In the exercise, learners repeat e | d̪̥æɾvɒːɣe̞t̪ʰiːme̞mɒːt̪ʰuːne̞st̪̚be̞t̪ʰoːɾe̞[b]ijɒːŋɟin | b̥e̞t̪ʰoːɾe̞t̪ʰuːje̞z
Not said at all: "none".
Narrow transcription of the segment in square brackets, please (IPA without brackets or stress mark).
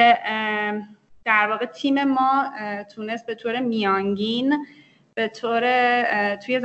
m